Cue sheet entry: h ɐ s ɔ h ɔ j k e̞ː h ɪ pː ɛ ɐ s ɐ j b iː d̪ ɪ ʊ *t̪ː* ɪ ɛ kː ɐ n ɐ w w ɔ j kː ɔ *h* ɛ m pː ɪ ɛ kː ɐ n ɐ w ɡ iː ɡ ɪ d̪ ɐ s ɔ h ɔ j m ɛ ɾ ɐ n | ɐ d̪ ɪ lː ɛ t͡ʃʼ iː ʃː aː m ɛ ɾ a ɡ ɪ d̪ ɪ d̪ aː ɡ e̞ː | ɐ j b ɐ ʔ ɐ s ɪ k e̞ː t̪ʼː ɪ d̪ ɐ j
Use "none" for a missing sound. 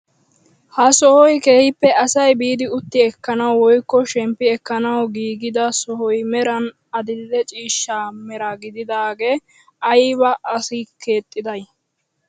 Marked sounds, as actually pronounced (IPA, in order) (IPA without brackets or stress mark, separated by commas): t̪ː, ʃ